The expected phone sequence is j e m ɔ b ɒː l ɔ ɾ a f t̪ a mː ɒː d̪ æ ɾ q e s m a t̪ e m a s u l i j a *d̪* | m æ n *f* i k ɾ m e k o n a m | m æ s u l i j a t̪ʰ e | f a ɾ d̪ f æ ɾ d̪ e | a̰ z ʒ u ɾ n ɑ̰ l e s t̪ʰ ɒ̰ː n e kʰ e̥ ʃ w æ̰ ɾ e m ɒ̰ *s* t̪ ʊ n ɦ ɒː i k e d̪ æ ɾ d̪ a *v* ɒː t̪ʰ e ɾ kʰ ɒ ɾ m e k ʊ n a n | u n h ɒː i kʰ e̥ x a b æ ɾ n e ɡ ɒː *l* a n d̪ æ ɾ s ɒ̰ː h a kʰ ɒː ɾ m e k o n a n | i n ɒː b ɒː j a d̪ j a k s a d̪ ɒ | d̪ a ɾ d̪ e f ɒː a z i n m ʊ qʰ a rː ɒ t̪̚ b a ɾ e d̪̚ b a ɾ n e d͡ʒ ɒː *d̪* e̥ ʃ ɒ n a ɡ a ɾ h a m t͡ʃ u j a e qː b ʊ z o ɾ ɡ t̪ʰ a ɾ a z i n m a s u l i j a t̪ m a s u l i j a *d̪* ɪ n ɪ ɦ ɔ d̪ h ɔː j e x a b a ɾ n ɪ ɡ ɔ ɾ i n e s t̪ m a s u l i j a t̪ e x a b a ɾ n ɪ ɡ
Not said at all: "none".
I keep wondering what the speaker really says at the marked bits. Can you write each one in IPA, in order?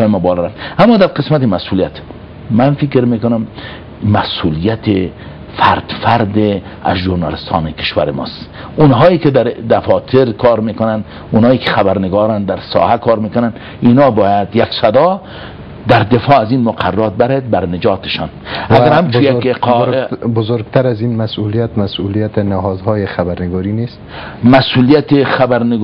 t̪, f, s, f, ɾ, t̪, t̪

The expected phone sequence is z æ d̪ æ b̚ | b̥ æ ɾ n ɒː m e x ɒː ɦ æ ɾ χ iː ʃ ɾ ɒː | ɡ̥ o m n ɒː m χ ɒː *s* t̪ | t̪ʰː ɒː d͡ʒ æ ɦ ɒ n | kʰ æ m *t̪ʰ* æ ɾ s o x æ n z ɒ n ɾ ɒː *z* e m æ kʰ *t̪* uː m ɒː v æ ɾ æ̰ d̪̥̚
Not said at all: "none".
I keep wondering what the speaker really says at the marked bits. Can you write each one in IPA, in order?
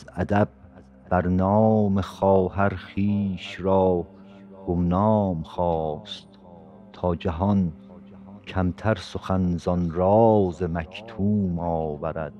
s, t̪ʰ, z, t̪ʰ

